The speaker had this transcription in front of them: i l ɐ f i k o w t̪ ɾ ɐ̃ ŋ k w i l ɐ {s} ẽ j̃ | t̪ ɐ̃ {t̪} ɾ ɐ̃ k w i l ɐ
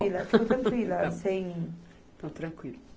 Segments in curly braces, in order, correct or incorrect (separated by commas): correct, correct